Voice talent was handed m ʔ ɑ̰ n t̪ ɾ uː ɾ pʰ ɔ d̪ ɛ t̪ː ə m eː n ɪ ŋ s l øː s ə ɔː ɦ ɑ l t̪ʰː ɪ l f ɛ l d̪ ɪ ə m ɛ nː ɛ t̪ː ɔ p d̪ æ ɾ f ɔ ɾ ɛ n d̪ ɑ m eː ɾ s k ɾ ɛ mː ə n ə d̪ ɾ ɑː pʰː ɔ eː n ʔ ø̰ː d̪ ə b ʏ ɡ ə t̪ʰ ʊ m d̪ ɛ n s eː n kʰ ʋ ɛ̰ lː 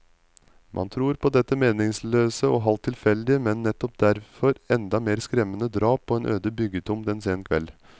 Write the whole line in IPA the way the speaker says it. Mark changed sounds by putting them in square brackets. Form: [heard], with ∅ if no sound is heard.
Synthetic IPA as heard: m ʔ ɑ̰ n [t̪ʰ] ɾ uː ɾ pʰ ɔ d̪ ɛ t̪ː ə m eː n ɪ ŋ s l øː s ə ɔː ɦ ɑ l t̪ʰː ɪ l f ɛ l d̪ ɪ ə m ɛ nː ɛ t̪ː ɔ p d̪ æ ɾ f ɔ ɾ ɛ n d̪ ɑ m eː ɾ s k ɾ ɛ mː ə n ə d̪ ɾ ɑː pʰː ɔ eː n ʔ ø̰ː d̪ ə b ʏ ɡ ə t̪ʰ ʊ m d̪ ɛ n s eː n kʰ ʋ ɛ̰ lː